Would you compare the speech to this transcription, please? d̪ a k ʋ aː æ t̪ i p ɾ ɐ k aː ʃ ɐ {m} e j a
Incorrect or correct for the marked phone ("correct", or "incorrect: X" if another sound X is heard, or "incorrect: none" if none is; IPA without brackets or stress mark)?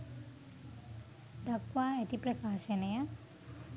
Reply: incorrect: n